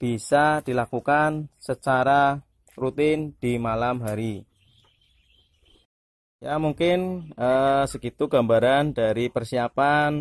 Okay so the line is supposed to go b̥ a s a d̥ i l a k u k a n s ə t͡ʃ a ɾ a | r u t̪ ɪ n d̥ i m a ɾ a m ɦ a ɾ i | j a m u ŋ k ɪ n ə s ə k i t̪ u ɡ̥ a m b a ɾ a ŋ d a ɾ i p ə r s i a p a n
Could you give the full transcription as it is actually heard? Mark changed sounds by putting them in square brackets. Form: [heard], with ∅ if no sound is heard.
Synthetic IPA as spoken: b̥ [i] s a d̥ i l a k u k a n s ə t͡ʃ a ɾ a | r u t̪ ɪ n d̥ i m a [l] a m ɦ a ɾ i | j a m u ŋ k ɪ n ə s ə k i t̪ u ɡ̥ a m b a ɾ a [n] d a ɾ i p ə r s i a p a n